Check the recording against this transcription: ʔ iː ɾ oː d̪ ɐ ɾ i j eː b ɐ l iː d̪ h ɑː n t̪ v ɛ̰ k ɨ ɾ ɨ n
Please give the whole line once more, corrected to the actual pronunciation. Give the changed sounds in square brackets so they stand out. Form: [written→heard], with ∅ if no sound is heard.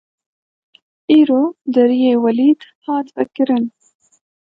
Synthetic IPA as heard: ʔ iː ɾ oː d̪ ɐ ɾ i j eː [b→w] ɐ l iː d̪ h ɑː [n→∅] t̪ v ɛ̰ k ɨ ɾ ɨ n